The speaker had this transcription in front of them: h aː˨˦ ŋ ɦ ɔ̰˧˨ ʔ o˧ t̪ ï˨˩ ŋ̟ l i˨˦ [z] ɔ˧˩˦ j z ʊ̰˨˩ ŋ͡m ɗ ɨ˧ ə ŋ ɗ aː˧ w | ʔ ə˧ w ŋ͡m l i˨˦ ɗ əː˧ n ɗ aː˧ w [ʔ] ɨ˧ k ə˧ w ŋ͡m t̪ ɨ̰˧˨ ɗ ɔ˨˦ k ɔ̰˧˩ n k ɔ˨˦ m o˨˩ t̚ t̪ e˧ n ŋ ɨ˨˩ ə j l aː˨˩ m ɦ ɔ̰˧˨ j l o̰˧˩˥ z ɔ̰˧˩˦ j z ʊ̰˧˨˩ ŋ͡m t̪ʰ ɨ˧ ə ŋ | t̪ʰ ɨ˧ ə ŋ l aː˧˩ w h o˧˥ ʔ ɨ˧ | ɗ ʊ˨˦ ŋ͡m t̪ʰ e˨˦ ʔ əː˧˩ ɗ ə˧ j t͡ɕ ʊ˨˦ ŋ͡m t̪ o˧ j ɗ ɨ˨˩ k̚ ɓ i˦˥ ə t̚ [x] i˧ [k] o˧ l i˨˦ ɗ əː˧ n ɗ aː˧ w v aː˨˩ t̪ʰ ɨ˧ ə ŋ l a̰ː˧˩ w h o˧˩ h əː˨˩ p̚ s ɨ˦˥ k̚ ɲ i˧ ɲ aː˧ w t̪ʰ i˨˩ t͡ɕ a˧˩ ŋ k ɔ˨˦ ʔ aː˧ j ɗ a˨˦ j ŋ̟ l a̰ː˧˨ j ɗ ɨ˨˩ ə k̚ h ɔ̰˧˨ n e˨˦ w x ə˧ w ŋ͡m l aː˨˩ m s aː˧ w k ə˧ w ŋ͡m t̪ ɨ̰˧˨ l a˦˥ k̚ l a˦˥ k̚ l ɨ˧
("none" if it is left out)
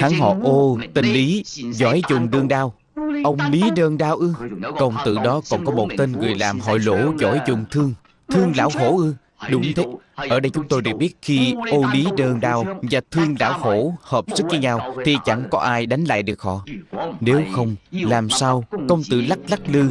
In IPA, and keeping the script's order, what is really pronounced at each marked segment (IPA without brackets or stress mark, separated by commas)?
z, ʔ, x, ʔ